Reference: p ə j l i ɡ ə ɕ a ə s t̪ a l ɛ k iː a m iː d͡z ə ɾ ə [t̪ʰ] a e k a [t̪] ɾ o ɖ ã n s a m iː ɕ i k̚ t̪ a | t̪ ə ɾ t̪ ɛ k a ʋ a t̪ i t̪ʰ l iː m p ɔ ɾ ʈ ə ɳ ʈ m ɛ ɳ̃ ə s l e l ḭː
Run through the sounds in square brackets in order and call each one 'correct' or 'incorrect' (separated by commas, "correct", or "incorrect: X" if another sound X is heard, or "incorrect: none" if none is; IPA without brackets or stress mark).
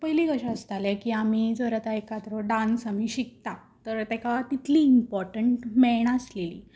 incorrect: t̪, correct